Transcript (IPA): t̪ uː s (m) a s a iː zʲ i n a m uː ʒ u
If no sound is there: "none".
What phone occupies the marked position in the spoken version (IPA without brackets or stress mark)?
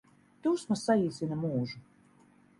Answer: m